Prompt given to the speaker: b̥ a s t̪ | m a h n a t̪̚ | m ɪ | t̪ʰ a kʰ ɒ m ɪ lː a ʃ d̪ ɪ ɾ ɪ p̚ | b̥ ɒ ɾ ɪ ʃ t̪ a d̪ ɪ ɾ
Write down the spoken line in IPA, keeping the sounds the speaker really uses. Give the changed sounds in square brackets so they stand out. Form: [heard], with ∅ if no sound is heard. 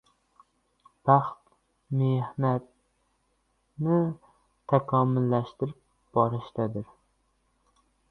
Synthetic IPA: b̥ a [χ] t̪ | m [e] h n a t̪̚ | [n] ɪ | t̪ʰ a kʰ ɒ m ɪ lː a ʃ [t̪] ɪ ɾ ɪ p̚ | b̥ ɒ ɾ ɪ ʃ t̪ a d̪ ɪ ɾ